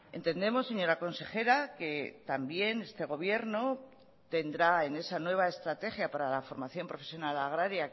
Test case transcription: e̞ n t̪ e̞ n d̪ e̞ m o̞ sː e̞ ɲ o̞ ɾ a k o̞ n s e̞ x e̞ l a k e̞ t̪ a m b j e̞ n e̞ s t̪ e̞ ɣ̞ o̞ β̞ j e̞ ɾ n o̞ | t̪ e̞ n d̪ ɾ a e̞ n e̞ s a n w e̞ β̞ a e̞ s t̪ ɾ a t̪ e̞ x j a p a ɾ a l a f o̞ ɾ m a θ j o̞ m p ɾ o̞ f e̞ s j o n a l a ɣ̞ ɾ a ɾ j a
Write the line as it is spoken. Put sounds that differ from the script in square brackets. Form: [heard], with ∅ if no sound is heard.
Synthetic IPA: e̞ n t̪ e̞ n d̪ e̞ m o̞ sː e̞ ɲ o̞ ɾ a k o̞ n s e̞ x e̞ [ɾ] a k e̞ t̪ a m b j e̞ n e̞ s t̪ e̞ ɣ̞ o̞ β̞ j e̞ ɾ n o̞ | t̪ e̞ n d̪ ɾ a e̞ n e̞ s a n w e̞ β̞ a e̞ s t̪ ɾ a t̪ e̞ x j a p a ɾ a l a f o̞ ɾ m a θ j o̞ m p ɾ o̞ f e̞ s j o n a l a ɣ̞ ɾ a ɾ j a